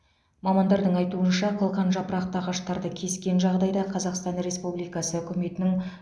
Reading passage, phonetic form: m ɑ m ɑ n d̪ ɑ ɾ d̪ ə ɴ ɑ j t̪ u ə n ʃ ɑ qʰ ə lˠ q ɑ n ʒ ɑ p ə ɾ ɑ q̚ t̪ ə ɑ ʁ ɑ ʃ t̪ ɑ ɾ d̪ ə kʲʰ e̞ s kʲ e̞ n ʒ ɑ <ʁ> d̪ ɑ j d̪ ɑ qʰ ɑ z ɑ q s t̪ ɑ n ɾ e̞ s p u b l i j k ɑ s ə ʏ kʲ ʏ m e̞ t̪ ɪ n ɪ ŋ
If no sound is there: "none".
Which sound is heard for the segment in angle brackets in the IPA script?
ʁ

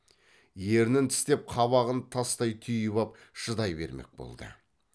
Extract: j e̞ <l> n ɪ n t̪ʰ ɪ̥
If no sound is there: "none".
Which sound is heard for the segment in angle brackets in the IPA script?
ɾ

